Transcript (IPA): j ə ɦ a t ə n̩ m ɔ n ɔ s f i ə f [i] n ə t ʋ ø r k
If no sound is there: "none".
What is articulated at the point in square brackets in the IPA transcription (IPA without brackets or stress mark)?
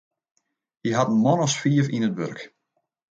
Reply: i